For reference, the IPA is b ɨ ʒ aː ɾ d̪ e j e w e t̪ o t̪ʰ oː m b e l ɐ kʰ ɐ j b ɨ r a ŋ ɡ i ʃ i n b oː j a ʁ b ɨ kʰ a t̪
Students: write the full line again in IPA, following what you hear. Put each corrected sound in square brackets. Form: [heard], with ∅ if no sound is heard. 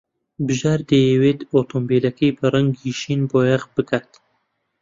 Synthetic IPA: b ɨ ʒ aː ɾ d̪ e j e w e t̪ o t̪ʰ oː m b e l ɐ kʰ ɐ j b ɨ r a ŋ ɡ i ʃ i n b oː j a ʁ b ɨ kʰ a t̪